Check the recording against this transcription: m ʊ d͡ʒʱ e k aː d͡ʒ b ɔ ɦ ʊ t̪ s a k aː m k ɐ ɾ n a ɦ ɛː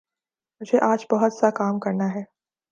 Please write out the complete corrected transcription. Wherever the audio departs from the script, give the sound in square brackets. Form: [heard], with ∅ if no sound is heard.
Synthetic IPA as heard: m ʊ d͡ʒʱ e [ʔ] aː d͡ʒ b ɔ ɦ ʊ t̪ s a k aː m k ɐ ɾ n a ɦ ɛː

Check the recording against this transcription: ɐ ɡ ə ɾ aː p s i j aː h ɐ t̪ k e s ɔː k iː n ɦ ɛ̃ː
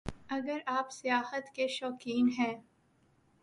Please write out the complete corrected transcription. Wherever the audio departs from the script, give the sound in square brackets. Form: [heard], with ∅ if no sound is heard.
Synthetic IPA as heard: ɐ ɡ ə ɾ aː p s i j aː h [ə] t̪ k e [ʃ] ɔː k iː n ɦ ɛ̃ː

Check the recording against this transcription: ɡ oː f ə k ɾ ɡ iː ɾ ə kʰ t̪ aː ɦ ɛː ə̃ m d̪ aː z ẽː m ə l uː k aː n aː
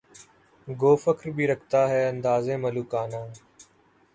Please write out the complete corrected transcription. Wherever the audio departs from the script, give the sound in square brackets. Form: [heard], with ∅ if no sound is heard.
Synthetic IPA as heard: ɡ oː f ə k ɾ [b] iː ɾ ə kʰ t̪ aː ɦ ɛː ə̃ [n] d̪ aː z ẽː m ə l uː k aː n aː

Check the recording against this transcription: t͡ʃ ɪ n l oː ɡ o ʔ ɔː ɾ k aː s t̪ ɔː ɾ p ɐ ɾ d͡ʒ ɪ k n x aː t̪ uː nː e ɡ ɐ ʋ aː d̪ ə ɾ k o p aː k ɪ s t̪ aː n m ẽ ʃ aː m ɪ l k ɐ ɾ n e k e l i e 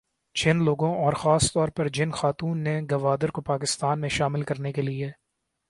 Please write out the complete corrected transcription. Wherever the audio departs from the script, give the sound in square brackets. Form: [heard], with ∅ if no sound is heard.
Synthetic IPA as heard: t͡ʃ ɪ n l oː ɡ [õ] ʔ ɔː ɾ [x] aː s t̪ ɔː ɾ p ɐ ɾ d͡ʒ ɪ [∅] n x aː t̪ uː nː e ɡ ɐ ʋ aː d̪ ə ɾ k o p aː k ɪ s t̪ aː n m ẽ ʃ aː m ɪ l k ɐ ɾ n e k e l i e

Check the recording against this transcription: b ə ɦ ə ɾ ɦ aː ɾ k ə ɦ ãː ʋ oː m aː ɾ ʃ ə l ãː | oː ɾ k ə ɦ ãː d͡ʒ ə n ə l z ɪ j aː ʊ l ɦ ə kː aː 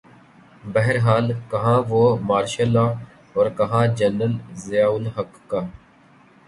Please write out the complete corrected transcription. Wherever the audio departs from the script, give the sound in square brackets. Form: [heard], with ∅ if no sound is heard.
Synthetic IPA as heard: b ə ɦ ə ɾ ɦ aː [l] k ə ɦ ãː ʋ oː m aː ɾ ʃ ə l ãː | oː ɾ k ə ɦ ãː d͡ʒ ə n ə l z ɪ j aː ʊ l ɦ ə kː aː

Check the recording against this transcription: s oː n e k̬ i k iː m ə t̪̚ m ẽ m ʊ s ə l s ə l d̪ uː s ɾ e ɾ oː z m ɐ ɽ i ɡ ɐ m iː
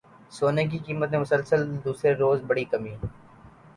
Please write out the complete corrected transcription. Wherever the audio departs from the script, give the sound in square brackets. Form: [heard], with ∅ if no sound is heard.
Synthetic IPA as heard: s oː n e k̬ i k iː m ə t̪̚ m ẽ m ʊ s ə l s ə l d̪ uː s ɾ e ɾ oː z [b] ɐ ɽ i [k] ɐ m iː

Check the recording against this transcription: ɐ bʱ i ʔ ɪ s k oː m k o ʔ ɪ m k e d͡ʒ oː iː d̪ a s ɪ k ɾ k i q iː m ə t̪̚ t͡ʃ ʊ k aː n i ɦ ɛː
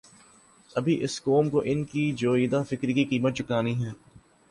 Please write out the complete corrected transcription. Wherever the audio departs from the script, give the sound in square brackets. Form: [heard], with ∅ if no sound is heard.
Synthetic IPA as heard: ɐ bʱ i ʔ ɪ s k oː m k o ʔ ɪ [n] k [i] d͡ʒ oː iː d̪ a [f] ɪ k ɾ k i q iː m ə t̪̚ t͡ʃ ʊ k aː n i ɦ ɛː

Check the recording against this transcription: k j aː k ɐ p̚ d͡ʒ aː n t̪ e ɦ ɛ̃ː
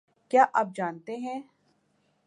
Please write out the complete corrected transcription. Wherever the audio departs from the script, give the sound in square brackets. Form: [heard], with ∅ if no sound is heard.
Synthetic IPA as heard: k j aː [ʔ] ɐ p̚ d͡ʒ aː n t̪ e ɦ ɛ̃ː

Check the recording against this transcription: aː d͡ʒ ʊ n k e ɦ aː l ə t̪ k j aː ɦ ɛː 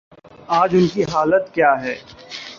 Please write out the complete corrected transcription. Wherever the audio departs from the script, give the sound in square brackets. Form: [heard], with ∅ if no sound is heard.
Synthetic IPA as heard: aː d͡ʒ ʊ n k [i] ɦ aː l ə t̪ k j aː ɦ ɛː

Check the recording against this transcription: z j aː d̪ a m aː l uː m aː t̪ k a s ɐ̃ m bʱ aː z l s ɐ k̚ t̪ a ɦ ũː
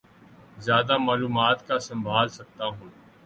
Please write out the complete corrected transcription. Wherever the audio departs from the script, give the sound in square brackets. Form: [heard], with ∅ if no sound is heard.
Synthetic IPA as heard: z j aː d̪ a m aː l uː m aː t̪ k a s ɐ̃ m bʱ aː [∅] l s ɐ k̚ t̪ a ɦ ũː

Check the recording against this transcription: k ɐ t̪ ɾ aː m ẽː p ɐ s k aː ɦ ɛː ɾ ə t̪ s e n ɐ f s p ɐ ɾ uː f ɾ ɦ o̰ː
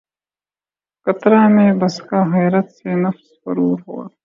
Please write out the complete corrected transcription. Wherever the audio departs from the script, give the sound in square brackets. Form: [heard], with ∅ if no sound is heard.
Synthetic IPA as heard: k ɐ t̪ ɾ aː m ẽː [b] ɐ s k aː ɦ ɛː ɾ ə t̪ s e n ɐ f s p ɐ ɾ uː [∅] ɾ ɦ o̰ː

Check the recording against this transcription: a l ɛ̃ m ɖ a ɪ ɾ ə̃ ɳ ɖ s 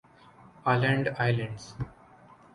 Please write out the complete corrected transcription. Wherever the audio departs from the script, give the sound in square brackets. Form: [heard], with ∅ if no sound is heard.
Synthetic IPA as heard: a l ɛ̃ [ɳ] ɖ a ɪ [l] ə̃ ɳ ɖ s

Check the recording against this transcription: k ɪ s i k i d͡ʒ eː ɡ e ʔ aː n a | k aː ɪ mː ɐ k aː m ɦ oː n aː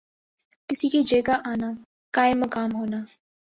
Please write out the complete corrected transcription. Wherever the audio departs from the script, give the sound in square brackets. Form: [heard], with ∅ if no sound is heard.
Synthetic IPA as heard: k ɪ s i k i d͡ʒ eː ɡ [a] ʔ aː n a | k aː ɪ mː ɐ k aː m ɦ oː n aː

